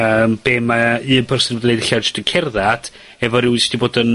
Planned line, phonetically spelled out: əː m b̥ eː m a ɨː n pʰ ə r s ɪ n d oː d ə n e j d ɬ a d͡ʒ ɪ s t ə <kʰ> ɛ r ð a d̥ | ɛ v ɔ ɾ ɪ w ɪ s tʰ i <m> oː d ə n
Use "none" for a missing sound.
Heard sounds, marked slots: kʰ, b

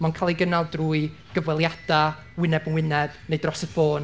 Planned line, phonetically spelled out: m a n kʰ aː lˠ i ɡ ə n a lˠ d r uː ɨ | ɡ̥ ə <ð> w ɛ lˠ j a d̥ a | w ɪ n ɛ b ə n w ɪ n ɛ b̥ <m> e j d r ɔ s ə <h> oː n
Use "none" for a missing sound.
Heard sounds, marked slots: v, n, f

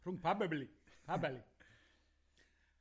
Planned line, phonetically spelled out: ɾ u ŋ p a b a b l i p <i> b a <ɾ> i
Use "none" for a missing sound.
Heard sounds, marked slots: a, l

